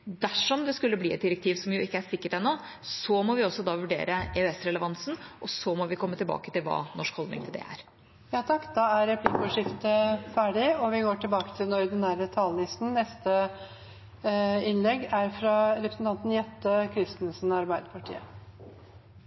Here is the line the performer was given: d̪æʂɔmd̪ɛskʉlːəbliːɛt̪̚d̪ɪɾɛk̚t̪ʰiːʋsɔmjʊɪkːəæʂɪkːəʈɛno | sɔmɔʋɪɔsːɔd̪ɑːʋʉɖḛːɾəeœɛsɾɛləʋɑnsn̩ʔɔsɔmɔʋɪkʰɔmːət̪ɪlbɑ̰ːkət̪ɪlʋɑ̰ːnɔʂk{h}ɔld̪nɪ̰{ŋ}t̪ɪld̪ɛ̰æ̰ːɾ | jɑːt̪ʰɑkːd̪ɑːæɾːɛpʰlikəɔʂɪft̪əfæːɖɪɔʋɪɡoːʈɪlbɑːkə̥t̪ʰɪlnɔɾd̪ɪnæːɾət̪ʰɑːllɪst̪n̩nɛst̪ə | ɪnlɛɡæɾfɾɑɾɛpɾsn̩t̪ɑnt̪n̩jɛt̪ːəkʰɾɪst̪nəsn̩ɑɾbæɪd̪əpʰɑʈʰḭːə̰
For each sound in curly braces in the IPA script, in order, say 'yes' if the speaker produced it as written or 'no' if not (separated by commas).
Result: yes, yes